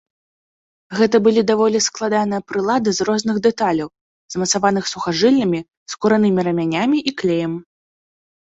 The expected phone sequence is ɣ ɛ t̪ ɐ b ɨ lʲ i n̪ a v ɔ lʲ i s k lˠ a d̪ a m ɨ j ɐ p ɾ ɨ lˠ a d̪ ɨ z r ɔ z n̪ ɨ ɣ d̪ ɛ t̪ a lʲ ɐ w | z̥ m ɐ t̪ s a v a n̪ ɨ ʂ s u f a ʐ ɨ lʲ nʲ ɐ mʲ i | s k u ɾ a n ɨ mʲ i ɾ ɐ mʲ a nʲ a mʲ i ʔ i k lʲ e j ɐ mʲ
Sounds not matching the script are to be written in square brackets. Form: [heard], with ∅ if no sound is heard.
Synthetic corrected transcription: ɣ ɛ t̪ ɐ b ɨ lʲ i [d̪] a v ɔ lʲ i s k lˠ a d̪ a [n] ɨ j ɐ p ɾ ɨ lˠ a d̪ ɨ z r ɔ z n̪ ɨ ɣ d̪ ɛ t̪ a lʲ ɐ w | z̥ m ɐ t̪ s a v a n̪ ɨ [x] s u [x] a ʐ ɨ lʲ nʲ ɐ mʲ i | s k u ɾ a n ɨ mʲ i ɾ ɐ mʲ a nʲ a mʲ i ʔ i k lʲ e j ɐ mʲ